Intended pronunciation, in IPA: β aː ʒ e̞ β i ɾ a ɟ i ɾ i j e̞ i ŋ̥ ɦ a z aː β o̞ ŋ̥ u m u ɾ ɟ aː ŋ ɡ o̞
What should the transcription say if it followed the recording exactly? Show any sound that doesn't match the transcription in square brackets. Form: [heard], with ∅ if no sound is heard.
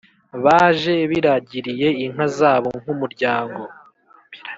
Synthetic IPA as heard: β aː ʒ e̞ β i ɾ a ɟ i ɾ i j e̞ i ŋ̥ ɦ a z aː β o̞ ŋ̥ u m u ɾ ɟ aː ŋ ɡ o̞